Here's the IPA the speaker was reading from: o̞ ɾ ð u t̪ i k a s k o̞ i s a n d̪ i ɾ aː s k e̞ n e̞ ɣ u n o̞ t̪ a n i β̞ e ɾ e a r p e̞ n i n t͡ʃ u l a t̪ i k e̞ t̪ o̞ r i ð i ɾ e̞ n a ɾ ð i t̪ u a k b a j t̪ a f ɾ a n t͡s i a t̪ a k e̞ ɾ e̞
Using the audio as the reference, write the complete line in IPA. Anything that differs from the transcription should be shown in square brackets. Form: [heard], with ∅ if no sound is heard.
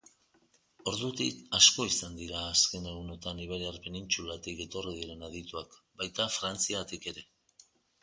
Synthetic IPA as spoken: o̞ ɾ ð u t̪ i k a s k o̞ i s a n d̪ i ɾ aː s k e̞ n e̞ ɣ u n o̞ t̪ a n i β̞ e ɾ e a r p e̞ n i n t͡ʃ u l a t̪ i k e̞ t̪ o̞ r i ð i ɾ e̞ n a [∅] ð i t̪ u a k b a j t̪ a f ɾ a n t͡s i a t̪ [i] k e̞ ɾ e̞